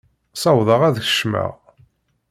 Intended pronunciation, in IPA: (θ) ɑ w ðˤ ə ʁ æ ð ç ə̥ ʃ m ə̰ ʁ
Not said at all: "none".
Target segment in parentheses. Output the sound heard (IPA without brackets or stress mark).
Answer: s